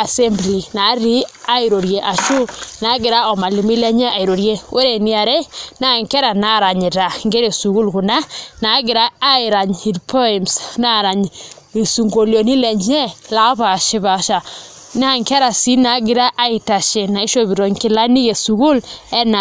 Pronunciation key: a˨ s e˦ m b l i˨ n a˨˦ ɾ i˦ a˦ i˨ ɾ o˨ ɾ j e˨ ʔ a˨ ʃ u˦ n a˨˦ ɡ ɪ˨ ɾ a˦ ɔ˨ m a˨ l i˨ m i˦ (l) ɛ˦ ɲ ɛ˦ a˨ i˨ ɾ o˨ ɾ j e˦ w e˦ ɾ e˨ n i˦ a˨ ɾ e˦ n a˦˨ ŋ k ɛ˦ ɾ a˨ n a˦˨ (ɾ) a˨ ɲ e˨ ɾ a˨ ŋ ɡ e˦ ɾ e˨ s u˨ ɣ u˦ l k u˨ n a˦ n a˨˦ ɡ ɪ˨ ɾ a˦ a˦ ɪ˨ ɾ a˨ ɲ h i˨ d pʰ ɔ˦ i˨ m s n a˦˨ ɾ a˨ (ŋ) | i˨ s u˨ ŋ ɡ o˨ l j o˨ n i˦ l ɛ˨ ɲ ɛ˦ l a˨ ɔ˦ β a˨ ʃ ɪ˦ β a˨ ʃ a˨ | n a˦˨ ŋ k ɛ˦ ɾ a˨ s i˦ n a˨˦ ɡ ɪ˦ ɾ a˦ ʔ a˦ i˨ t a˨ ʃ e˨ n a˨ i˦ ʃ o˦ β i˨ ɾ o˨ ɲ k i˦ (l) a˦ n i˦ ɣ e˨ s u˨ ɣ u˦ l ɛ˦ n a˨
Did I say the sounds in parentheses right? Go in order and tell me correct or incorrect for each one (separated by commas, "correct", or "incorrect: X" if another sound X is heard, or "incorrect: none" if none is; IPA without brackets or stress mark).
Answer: correct, correct, incorrect: ɲ, correct